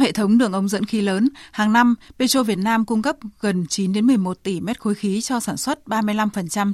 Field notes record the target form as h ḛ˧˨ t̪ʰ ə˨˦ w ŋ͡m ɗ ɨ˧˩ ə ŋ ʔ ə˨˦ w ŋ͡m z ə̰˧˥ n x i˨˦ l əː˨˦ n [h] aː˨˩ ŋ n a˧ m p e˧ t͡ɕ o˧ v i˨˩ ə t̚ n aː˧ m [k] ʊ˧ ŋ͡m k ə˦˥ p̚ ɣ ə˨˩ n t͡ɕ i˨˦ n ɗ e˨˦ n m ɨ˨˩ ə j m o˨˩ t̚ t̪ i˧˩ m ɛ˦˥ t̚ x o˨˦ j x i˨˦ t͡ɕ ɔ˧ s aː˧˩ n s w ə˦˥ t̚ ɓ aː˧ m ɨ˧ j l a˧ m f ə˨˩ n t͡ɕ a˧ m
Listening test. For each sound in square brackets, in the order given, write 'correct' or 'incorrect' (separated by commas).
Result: correct, correct